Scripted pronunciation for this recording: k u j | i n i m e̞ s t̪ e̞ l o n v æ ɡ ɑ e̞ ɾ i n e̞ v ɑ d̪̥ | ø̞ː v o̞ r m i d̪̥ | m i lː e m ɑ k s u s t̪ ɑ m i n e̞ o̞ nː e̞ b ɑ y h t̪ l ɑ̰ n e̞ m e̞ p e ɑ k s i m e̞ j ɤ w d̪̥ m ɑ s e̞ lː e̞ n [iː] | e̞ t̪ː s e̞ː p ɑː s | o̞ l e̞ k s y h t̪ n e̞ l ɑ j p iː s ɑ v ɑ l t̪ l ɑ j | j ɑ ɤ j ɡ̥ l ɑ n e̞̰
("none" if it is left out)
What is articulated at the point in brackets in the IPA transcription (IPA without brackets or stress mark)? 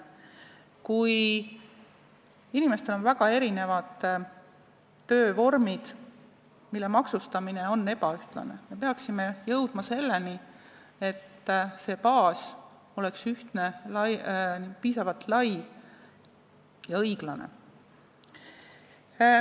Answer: i